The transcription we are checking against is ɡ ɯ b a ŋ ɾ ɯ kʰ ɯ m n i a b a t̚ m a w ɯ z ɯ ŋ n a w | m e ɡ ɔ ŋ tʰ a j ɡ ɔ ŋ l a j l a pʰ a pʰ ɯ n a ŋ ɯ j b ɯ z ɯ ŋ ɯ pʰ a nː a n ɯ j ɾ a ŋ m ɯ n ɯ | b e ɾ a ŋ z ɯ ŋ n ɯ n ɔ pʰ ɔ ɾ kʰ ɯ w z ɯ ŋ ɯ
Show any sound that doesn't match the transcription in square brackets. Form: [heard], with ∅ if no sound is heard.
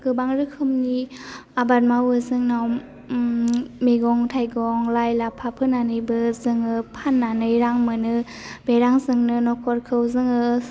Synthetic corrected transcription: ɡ ɯ b a ŋ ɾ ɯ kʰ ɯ m n i a b a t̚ m a w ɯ z ɯ ŋ n a w | m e ɡ ɔ ŋ tʰ a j ɡ ɔ ŋ l a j l a pʰ a pʰ ɯ n a [n] ɯ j b ɯ z ɯ ŋ ɯ pʰ a nː a n ɯ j ɾ a ŋ m ɯ n ɯ | b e ɾ a ŋ z ɯ ŋ n ɯ n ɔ [kʰ] ɔ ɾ kʰ ɯ w z ɯ ŋ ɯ